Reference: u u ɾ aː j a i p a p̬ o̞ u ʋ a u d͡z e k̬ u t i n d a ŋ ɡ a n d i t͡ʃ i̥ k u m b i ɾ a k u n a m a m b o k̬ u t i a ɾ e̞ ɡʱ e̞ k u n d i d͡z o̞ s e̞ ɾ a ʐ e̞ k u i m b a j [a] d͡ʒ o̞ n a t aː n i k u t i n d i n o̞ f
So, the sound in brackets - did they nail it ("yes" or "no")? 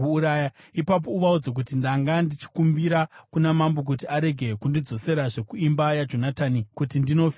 yes